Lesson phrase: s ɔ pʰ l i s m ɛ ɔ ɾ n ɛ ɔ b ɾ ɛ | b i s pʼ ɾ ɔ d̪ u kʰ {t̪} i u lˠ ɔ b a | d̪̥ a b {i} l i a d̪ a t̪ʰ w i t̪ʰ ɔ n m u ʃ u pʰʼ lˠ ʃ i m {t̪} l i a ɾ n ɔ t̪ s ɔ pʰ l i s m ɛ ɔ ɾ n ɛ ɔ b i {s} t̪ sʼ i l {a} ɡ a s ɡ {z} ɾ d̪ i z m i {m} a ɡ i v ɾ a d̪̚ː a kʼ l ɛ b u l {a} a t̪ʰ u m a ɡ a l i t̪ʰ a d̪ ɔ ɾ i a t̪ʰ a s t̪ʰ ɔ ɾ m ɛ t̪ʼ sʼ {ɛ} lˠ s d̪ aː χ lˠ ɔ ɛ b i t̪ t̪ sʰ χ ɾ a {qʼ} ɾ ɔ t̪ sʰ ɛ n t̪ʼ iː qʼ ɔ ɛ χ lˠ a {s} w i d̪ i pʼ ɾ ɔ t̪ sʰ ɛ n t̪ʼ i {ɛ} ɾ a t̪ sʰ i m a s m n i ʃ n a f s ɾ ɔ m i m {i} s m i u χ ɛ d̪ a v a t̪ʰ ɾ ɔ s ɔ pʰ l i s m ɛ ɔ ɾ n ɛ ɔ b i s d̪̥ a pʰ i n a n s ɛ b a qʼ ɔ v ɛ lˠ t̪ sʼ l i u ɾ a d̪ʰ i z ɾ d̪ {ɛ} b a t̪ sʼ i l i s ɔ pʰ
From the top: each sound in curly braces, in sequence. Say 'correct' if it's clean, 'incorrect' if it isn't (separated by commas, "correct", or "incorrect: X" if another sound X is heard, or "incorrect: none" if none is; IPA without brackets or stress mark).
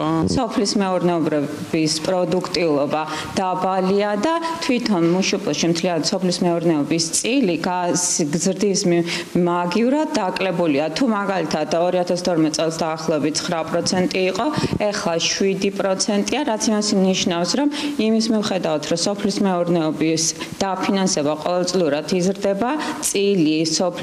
incorrect: t̪ʼ, incorrect: a, incorrect: t̪ʰ, correct, incorrect: i, correct, correct, incorrect: i, correct, incorrect: pʼ, incorrect: ʃ, incorrect: a, correct, correct